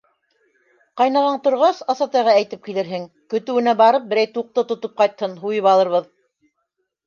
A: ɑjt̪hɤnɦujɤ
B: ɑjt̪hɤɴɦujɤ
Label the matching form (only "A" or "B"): A